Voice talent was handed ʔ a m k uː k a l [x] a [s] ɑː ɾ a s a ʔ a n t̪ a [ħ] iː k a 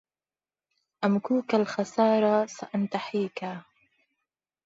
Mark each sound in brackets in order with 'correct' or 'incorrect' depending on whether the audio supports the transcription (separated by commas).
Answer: correct, correct, correct